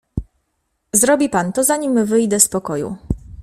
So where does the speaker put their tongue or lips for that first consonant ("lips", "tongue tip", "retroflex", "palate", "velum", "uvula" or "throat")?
tongue tip